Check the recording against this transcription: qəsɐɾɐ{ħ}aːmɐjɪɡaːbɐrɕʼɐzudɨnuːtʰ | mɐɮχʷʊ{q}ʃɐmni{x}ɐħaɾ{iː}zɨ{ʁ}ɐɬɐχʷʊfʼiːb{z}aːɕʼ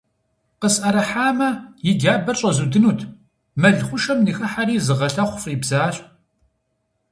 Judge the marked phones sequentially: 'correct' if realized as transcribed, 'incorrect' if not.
correct, incorrect: none, correct, correct, correct, correct

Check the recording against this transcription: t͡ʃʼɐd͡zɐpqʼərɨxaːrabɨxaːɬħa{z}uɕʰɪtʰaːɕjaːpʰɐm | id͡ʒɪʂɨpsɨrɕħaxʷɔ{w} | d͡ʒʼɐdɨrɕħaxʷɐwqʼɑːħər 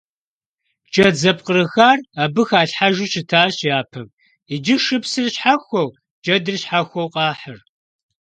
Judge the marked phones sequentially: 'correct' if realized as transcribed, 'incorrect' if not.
incorrect: ʒ, correct

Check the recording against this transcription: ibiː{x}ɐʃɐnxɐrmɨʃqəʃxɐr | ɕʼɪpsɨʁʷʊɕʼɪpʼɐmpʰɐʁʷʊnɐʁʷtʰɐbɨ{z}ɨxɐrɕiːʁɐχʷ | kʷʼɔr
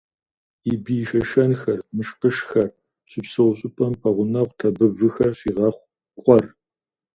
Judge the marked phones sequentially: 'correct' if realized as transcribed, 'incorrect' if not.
incorrect: ʃ, incorrect: v

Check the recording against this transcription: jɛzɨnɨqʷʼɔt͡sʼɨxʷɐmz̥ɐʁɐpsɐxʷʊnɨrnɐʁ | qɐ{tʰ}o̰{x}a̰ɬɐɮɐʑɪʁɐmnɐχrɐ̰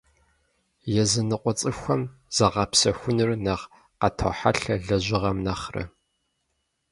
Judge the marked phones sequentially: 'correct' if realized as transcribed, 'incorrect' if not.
correct, incorrect: ħ

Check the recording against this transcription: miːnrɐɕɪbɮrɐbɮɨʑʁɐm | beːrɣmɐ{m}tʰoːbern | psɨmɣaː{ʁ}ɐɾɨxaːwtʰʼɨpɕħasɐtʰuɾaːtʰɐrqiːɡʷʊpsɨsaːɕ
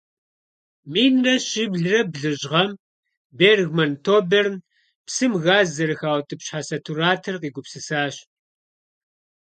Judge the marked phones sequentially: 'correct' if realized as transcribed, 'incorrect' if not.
incorrect: n, incorrect: z

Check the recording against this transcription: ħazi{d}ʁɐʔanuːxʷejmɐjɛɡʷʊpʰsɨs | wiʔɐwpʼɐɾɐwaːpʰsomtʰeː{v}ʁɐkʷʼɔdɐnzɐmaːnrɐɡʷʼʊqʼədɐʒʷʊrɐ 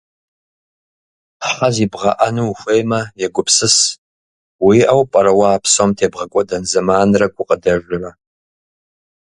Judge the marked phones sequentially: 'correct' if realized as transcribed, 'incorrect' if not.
incorrect: b, incorrect: b

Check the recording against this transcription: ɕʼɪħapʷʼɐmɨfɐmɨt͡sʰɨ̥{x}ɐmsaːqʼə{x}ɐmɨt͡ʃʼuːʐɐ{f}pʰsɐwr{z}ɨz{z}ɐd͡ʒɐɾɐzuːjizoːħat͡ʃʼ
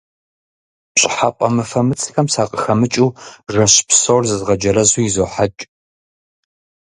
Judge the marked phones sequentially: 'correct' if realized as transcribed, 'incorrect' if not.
correct, correct, incorrect: ɕ, correct, incorrect: ʁ

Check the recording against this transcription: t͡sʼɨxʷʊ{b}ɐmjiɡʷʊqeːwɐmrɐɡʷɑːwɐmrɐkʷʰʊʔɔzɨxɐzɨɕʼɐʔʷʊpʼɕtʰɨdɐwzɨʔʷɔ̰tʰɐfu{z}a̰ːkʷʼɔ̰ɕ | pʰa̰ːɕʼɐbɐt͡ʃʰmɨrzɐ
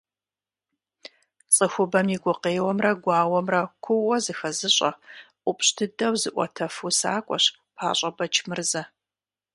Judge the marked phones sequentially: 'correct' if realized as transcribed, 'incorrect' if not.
correct, incorrect: s

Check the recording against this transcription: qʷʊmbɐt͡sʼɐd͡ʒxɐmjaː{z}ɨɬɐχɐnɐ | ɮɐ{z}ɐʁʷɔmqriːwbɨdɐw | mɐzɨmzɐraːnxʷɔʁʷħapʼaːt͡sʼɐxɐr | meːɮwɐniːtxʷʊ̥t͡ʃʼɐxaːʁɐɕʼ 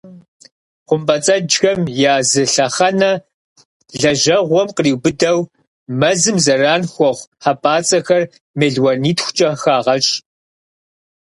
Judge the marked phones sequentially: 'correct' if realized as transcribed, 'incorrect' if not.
correct, incorrect: ʒ

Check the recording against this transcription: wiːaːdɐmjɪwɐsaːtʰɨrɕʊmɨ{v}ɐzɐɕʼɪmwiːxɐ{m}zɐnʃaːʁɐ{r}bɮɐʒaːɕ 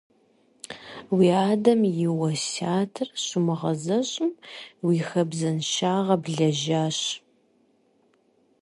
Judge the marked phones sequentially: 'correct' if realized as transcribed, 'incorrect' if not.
incorrect: ʁ, incorrect: b, incorrect: none

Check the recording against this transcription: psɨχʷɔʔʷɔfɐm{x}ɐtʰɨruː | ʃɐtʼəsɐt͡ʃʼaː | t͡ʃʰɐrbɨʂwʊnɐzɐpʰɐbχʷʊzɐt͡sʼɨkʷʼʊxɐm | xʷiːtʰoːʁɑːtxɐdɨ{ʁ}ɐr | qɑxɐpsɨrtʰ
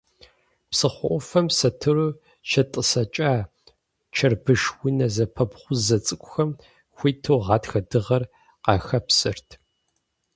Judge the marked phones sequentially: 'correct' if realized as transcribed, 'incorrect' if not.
incorrect: s, correct

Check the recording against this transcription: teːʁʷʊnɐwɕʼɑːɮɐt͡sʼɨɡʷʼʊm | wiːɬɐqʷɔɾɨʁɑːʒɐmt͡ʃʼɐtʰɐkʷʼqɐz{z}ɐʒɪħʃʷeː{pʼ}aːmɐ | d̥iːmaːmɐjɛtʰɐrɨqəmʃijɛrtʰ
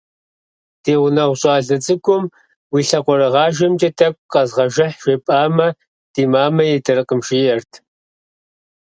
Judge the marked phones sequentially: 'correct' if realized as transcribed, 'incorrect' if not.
incorrect: ʁ, correct

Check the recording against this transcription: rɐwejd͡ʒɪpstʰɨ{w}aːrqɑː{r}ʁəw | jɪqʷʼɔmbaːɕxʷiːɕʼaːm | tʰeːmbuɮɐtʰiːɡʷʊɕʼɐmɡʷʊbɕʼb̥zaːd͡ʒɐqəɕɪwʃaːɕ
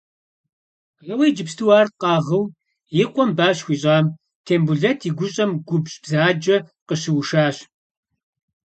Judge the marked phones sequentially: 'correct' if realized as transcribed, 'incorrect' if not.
correct, incorrect: none

